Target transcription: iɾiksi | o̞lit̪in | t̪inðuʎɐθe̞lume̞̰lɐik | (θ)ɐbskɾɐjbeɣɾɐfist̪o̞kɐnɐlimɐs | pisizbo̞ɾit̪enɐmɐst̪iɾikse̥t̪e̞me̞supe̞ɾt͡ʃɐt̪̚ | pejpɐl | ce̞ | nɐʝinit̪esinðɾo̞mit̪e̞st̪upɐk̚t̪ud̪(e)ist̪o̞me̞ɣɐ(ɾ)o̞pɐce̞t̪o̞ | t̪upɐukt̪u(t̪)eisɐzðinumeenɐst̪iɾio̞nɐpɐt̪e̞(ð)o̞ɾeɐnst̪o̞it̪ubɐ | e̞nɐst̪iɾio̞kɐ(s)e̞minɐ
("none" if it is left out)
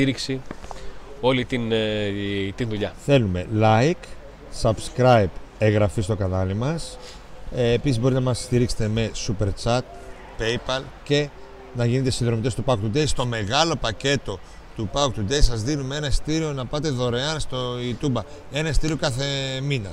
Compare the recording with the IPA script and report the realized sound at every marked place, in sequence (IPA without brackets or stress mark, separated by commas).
s, e, l, d̪, ð, θ